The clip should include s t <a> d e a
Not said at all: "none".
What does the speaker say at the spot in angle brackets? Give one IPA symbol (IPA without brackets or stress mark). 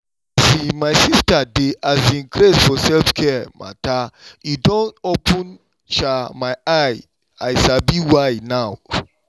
a